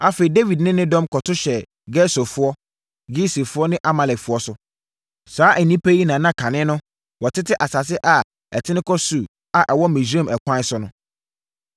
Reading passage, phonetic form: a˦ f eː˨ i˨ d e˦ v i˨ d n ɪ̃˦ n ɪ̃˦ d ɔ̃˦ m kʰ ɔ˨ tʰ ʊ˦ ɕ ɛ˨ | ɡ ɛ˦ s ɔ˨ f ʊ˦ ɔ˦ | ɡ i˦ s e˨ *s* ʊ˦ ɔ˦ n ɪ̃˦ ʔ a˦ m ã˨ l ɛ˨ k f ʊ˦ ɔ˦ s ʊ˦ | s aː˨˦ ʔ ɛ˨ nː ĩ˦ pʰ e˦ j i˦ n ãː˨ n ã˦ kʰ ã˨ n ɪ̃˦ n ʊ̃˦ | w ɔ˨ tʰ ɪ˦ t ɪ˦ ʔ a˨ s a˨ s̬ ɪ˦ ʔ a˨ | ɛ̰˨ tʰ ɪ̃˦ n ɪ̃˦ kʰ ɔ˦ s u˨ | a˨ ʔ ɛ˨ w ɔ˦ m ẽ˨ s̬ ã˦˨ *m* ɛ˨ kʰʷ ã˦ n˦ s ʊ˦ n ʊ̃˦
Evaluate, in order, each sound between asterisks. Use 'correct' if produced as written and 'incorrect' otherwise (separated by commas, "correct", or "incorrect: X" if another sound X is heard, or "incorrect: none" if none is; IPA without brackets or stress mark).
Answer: incorrect: f, correct